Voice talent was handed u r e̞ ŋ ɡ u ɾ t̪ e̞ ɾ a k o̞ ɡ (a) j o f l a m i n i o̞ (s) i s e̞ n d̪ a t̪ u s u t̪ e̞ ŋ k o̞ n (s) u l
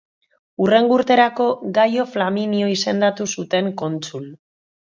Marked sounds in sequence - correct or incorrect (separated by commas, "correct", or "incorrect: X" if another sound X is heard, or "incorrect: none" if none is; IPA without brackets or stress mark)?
correct, incorrect: none, incorrect: t͡s